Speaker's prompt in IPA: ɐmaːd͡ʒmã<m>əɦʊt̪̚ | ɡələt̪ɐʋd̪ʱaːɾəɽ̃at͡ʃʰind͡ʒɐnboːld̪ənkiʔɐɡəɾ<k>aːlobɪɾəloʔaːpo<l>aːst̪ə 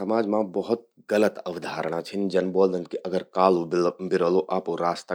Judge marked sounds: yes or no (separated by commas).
no, yes, no